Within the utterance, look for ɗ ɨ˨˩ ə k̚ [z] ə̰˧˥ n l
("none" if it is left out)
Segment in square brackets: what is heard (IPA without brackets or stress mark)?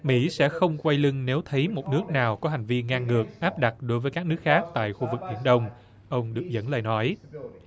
z